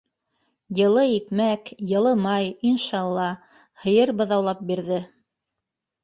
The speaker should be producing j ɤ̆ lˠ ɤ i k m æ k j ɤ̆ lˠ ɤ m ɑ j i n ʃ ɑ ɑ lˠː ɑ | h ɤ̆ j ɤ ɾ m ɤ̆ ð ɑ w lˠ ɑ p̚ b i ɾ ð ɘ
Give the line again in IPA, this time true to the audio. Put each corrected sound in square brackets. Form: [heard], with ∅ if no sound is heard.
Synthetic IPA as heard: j ɤ̆ lˠ ɤ i k m æ k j ɤ̆ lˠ ɤ m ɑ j i n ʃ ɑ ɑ lˠː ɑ | h ɤ̆ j ɤ ɾ [b] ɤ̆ ð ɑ w lˠ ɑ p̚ b i ɾ ð ɘ